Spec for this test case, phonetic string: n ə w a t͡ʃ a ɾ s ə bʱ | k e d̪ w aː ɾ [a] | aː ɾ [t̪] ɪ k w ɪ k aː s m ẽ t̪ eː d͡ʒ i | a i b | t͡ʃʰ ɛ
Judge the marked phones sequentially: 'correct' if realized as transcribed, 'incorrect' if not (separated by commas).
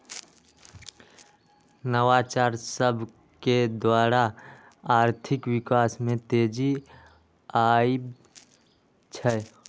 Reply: correct, incorrect